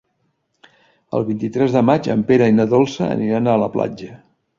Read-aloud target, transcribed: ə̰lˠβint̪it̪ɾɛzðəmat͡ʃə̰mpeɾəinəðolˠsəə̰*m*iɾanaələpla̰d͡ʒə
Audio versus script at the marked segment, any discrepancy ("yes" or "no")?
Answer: yes